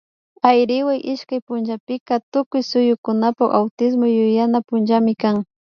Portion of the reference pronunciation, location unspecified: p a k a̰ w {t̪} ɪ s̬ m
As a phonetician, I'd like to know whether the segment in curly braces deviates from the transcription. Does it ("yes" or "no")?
no